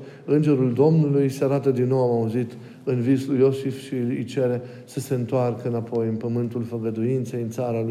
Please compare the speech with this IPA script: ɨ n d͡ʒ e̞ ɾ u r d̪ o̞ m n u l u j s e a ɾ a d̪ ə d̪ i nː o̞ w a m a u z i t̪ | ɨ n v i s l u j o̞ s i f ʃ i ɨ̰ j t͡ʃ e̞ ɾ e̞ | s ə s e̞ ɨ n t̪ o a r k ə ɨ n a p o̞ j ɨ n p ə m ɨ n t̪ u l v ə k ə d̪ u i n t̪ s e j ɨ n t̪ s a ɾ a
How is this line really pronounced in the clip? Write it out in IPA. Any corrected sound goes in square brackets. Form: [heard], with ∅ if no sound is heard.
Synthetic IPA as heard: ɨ n d͡ʒ e̞ ɾ u [l] d̪ o̞ m n u l u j s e a ɾ a [t̪] ə d̪ i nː o̞ w a m a u z i t̪ | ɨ n v i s l u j o̞ s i f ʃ i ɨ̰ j t͡ʃ e̞ ɾ e̞ | s ə s e̞ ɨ n t̪ o a r k ə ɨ n a p o̞ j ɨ n p ə m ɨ n t̪ u l [f] ə [ɡ] ə d̪ u i n t̪ s e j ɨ n t̪ s a ɾ a